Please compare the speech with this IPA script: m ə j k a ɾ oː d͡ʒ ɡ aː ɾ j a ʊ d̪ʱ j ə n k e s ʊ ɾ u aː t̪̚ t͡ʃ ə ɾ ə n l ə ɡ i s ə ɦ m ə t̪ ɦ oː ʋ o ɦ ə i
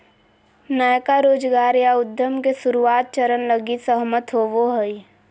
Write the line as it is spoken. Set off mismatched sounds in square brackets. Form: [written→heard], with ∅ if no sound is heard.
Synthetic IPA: [m→n] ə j k a ɾ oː d͡ʒ ɡ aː ɾ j a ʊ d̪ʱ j ə [n→m] k e s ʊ ɾ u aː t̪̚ t͡ʃ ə ɾ ə n l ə ɡ i s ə ɦ m ə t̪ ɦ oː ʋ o ɦ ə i